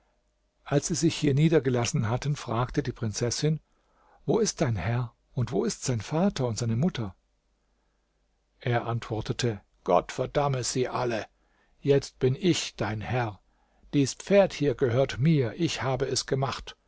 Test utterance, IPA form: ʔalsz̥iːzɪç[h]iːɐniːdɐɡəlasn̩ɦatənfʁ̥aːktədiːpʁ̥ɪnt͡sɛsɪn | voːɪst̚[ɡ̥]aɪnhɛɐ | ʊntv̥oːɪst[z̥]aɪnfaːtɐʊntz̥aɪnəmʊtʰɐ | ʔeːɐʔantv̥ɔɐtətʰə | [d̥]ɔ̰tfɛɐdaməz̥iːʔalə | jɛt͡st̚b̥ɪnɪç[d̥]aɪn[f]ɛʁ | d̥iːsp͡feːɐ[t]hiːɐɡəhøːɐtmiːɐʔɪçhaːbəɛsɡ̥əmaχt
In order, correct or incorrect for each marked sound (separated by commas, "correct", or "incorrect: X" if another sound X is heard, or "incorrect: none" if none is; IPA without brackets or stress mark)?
correct, incorrect: d̥, correct, incorrect: ɡ̥, correct, incorrect: h, correct